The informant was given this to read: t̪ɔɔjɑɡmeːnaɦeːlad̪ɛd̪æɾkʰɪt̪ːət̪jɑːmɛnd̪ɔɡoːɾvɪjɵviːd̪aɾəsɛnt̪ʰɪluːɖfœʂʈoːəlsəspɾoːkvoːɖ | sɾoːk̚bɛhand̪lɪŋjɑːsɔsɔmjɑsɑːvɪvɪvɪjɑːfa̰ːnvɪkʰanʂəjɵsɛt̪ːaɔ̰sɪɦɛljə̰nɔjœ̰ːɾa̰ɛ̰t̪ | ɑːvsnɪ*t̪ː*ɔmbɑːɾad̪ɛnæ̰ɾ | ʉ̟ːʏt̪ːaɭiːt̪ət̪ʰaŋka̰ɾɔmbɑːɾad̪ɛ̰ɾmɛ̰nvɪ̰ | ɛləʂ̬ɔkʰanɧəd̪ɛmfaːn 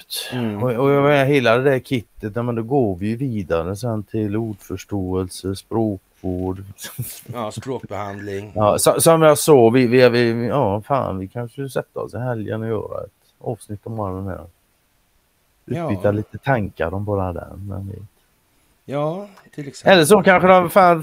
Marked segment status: correct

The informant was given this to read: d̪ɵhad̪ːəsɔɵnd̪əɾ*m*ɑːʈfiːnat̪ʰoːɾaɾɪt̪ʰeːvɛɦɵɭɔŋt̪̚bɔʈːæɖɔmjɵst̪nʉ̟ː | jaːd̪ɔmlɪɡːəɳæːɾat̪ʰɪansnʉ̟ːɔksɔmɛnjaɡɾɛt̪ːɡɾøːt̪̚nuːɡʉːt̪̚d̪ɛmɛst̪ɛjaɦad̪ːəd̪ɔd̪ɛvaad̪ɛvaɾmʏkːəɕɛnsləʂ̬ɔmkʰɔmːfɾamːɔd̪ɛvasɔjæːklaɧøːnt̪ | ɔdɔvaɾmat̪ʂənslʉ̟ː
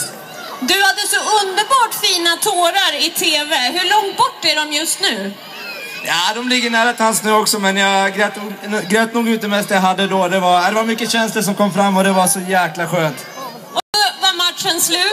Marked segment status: incorrect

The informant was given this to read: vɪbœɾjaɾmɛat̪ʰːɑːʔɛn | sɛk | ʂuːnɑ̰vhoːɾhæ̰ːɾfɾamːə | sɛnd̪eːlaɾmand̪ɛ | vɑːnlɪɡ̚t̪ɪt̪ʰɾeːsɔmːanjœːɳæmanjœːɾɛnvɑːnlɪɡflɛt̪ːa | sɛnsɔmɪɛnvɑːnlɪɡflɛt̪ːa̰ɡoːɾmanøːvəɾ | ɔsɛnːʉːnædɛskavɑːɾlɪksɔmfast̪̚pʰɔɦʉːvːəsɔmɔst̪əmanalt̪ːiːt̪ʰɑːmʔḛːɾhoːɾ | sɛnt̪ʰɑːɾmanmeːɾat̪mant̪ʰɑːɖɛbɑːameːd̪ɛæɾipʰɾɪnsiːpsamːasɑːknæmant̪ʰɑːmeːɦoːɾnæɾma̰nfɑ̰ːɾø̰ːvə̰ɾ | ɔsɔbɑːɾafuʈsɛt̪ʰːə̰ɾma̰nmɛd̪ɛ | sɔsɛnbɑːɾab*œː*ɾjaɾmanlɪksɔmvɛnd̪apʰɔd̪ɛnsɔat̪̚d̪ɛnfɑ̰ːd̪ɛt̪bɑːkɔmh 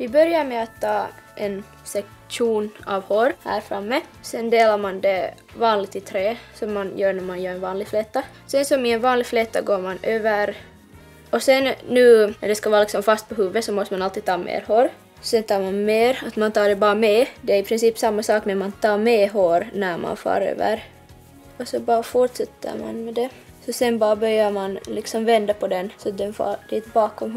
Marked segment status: incorrect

